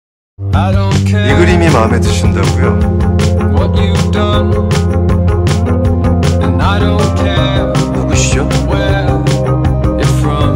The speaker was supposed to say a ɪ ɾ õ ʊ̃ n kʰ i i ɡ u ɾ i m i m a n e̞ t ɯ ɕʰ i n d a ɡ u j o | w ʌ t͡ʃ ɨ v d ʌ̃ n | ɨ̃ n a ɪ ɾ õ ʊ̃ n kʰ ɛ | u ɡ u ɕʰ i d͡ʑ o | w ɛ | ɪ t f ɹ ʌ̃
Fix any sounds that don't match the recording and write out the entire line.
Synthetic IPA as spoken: a ɪ ɾ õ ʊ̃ n kʰ ɛ i ɡ ɯ ɾ i m i m a m e̞ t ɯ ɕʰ i n d a ɡ u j o | w ʌ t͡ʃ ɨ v d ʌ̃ n | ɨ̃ n a ɪ ɾ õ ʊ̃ n kʰ ɛ | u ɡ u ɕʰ i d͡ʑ o | w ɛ | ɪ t f ɹ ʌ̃